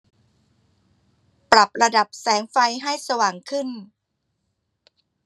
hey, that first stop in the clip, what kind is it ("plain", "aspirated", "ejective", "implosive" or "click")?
plain